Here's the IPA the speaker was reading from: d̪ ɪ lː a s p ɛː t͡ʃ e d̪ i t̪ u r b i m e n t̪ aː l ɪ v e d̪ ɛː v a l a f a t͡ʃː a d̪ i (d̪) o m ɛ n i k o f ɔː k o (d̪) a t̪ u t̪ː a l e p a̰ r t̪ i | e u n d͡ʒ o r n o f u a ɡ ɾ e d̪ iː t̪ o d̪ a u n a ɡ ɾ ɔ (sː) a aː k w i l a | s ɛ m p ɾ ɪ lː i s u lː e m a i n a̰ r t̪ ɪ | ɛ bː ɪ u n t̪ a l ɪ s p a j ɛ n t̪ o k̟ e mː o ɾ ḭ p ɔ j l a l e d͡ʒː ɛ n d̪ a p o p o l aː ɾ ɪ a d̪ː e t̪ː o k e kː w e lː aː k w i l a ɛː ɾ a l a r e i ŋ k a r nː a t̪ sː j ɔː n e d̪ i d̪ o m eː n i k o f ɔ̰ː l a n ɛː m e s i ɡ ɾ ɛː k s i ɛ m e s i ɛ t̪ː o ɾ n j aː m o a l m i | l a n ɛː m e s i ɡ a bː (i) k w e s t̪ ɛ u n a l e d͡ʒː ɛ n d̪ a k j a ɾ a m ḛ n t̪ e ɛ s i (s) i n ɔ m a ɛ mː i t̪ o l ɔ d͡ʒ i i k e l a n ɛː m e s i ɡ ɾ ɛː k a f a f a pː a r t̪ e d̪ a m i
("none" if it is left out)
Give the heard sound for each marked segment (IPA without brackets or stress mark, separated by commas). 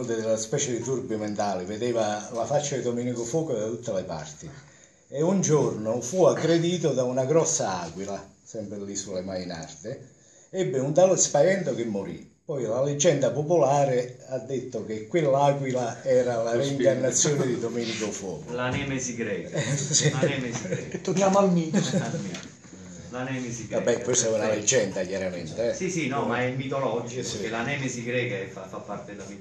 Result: d̪, d̪, sː, ɛ, s